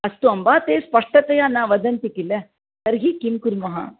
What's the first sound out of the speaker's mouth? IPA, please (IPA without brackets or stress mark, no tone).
ɐ